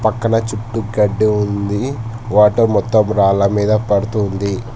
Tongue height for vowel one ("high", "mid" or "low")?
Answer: low